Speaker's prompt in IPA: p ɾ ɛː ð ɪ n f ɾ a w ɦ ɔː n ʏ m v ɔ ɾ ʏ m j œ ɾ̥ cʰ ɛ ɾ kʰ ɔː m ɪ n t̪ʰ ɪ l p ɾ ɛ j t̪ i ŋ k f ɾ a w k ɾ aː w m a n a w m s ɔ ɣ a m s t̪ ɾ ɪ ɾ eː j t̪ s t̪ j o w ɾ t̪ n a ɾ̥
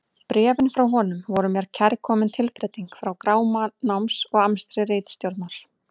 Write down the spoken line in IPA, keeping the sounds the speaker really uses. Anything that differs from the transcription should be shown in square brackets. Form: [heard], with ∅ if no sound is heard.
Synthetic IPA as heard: p ɾ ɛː [v] ɪ n f ɾ a w ɦ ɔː n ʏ m v ɔ ɾ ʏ m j [ɛ] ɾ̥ cʰ ɛ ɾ kʰ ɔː m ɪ n t̪ʰ ɪ l p ɾ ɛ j t̪ i ŋ k f ɾ a w k ɾ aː w m a n a w m s ɔ ɣ a m s t̪ ɾ ɪ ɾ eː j t̪ s t̪ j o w ɾ t̪ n a ɾ̥